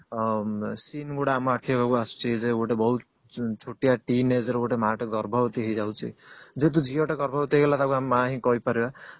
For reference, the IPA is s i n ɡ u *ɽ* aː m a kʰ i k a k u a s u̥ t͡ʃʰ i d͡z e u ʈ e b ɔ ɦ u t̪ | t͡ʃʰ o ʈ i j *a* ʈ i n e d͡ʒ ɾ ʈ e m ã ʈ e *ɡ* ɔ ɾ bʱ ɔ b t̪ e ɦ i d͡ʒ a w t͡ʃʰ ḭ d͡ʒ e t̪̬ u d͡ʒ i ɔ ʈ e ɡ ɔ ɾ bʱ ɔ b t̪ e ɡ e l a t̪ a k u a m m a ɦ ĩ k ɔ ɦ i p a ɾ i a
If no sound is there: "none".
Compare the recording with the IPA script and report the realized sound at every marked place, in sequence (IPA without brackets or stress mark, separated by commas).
ɽ, a, ɡ